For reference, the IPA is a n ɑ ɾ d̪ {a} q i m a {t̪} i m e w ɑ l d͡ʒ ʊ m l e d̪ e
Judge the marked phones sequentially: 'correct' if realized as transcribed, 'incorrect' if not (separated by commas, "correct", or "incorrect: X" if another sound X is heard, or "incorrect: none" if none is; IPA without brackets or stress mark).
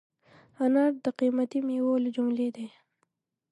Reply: incorrect: ə, correct